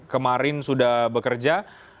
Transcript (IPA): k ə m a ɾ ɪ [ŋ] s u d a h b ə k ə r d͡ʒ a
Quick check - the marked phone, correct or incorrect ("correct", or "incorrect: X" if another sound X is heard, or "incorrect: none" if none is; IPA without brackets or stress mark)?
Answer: incorrect: n